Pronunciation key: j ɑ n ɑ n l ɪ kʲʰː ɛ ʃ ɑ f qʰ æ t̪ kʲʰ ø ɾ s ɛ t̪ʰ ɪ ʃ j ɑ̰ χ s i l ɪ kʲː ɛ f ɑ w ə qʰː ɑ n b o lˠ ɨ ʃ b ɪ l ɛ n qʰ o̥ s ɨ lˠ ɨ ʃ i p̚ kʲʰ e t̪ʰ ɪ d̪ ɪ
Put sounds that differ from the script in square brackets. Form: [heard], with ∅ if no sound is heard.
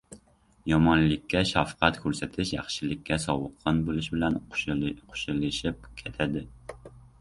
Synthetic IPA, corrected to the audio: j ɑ [m] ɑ n l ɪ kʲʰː ɛ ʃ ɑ f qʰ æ t̪ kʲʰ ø ɾ s ɛ t̪ʰ ɪ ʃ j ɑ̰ χ [ʃ] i l ɪ kʲː ɛ [s] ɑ w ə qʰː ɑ n b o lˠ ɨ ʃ b ɪ l ɛ n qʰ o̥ [ʃ] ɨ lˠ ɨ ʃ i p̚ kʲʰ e t̪ʰ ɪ d̪ ɪ